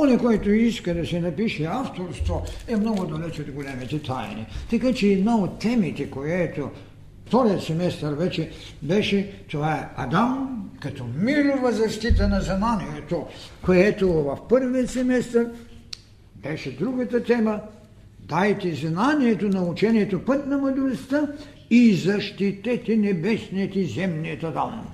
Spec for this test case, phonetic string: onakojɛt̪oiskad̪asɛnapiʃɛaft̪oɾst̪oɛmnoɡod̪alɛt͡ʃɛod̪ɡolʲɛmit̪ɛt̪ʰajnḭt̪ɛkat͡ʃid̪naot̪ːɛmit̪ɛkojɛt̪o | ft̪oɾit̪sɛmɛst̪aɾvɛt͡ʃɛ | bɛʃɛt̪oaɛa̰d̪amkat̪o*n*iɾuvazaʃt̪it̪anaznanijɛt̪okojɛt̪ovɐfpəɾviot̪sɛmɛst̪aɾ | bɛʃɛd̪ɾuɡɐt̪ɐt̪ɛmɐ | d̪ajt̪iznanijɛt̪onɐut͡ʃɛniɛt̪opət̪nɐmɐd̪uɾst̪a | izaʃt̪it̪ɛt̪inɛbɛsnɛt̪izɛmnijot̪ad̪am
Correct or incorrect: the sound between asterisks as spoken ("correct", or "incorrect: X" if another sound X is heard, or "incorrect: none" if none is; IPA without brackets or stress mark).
incorrect: m